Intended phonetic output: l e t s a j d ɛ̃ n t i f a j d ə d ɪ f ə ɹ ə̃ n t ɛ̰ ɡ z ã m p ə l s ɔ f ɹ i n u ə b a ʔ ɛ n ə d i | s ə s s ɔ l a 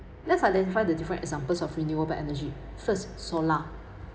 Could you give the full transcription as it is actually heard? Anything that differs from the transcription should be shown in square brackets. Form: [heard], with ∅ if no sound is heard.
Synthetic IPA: l [ɛ] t s a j d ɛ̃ n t i f a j d ə d [i] f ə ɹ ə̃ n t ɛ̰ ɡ z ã m p ə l s ɔ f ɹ i n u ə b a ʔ ɛ n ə [d͡ʒ] i | [f] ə s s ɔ l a